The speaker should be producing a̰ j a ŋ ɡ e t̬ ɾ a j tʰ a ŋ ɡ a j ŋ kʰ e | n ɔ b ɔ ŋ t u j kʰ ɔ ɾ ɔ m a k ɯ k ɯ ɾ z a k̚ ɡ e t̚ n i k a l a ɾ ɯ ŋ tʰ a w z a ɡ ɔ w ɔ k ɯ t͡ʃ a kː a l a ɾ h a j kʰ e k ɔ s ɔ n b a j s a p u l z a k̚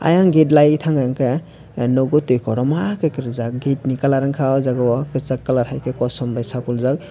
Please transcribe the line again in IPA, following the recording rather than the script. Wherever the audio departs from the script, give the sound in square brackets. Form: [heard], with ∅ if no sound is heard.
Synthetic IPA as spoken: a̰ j a ŋ ɡ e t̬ [l] a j tʰ a ŋ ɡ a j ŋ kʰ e | n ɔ [ɡ] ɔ [∅] t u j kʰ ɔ ɾ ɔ m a k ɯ k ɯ ɾ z a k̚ ɡ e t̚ n i k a l a ɾ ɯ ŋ [kʰ] a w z a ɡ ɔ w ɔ k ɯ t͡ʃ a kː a l a ɾ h a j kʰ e k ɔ s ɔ [m] b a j s a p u l z a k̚